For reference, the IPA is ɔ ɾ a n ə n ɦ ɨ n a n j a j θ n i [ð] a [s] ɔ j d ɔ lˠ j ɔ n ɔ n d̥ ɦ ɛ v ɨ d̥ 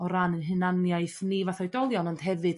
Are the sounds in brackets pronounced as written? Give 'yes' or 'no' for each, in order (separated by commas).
no, no